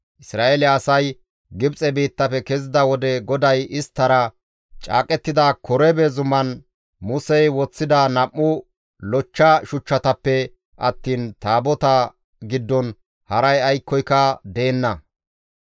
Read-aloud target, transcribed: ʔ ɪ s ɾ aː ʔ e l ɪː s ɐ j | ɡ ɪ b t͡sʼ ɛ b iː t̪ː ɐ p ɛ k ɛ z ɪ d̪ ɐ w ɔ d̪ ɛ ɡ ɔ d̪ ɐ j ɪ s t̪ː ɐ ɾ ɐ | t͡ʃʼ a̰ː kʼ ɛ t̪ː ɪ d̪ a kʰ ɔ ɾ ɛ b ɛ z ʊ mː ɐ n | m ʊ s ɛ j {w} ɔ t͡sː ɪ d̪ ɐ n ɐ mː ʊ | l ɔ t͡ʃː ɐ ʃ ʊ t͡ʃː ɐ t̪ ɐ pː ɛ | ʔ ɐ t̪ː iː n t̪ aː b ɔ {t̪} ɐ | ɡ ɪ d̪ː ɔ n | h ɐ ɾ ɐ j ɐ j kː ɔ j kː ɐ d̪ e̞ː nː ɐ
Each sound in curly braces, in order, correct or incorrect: correct, correct

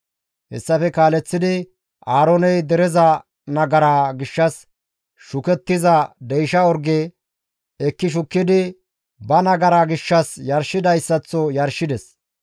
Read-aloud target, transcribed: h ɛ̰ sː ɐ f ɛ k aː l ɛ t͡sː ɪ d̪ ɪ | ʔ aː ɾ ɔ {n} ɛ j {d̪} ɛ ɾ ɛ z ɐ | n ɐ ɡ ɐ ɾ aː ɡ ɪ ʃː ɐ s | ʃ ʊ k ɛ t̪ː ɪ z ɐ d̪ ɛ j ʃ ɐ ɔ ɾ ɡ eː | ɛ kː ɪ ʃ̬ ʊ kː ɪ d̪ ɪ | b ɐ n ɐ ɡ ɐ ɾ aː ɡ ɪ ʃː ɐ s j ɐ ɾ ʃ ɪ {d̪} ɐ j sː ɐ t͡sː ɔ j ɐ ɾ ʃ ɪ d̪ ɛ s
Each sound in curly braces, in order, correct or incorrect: correct, correct, correct

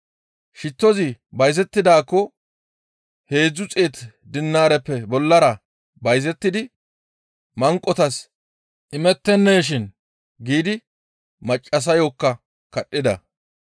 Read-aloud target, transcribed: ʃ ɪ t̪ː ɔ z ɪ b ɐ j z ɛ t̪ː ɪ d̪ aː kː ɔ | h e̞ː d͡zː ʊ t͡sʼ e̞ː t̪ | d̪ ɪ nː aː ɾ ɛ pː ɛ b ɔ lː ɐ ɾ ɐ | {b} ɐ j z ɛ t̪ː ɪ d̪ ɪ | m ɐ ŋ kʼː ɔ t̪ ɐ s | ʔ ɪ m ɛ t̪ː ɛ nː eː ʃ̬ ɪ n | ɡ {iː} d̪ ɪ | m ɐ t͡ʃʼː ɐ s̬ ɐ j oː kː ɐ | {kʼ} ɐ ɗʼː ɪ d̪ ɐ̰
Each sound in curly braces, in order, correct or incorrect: correct, correct, incorrect: k

